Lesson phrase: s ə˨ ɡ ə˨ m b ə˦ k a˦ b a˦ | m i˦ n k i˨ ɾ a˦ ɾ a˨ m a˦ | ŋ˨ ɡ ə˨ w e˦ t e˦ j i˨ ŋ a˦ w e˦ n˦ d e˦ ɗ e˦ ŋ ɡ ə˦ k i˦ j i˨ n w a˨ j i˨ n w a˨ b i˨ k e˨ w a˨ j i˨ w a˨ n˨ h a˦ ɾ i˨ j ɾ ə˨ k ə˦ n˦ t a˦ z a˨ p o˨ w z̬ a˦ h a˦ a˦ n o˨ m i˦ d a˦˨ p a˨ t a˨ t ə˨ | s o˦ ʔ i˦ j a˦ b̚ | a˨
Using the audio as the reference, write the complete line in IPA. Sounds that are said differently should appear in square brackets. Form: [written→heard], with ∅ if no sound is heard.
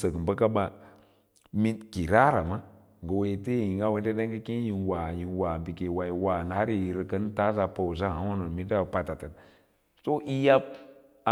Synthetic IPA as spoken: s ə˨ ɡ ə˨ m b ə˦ k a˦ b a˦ | m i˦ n k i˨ ɾ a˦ ɾ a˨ m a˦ | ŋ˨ ɡ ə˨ w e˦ t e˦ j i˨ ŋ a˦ w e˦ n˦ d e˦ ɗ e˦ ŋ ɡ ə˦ k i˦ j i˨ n w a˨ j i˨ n w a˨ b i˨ k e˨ w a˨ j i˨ w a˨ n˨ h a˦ ɾ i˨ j ɾ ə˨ k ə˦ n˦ t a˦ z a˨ p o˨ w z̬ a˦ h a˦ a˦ n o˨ m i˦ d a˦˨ p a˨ t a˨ t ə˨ | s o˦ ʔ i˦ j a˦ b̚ | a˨

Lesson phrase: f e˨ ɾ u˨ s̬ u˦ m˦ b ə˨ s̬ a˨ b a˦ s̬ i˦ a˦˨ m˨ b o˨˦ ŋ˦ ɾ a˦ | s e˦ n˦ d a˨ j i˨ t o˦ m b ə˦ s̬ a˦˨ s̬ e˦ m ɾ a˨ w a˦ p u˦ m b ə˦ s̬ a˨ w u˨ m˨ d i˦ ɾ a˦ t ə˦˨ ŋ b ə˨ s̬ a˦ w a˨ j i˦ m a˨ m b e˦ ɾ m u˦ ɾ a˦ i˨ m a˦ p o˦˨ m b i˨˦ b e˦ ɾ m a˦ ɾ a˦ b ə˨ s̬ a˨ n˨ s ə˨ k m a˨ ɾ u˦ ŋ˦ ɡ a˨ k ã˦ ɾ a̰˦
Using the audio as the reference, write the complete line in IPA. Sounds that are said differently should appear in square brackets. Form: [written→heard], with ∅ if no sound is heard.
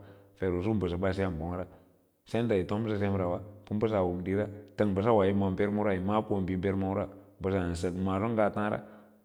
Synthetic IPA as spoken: f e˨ ɾ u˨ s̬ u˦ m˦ b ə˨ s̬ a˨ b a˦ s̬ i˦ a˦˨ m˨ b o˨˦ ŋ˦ ɾ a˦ | s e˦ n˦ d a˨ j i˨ t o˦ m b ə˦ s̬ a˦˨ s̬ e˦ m ɾ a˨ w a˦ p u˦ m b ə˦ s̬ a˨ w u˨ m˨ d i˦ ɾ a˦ t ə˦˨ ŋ b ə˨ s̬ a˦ w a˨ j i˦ m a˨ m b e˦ ɾ m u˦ ɾ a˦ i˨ m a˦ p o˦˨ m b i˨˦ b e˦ ɾ m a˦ ɾ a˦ b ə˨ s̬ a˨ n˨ s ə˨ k m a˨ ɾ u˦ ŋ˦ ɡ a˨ [k→t] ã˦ ɾ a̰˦

